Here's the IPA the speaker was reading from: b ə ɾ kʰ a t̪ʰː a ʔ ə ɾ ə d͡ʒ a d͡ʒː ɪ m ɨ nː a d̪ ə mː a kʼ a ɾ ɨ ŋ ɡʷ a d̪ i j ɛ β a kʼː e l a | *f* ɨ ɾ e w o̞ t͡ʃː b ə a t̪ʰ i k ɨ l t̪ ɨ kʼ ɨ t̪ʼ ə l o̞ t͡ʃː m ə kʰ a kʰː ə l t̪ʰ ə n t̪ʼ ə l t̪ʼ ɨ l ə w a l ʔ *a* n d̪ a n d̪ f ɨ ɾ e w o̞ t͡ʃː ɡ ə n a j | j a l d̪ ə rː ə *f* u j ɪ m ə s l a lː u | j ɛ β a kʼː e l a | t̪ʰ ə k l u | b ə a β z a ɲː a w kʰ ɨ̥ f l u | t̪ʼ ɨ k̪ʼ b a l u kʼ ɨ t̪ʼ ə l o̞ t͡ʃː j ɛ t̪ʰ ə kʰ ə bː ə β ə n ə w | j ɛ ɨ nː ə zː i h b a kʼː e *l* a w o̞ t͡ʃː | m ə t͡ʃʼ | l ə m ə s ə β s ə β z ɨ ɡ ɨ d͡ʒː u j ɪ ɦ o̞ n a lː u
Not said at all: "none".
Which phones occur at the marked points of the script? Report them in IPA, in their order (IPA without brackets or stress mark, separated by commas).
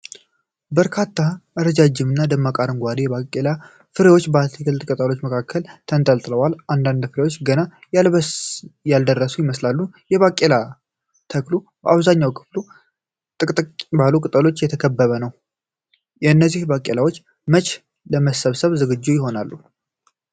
f, a, s, l